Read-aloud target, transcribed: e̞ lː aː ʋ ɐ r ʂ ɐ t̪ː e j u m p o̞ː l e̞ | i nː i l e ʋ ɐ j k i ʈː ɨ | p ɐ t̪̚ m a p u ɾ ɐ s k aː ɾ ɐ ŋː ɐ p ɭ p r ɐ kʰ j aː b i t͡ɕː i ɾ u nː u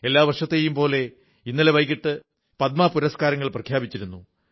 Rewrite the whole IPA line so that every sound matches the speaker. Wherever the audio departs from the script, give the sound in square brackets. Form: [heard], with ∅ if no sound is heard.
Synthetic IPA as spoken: e̞ lː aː ʋ ɐ r ʂ ɐ t̪ː e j u m p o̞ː l e̞ | i nː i l e ʋ ɐ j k i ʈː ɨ | p ɐ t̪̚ m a p u ɾ ɐ s k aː ɾ ɐ ŋː ɐ [∅] ɭ p r ɐ kʰ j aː b i t͡ɕː i ɾ u nː u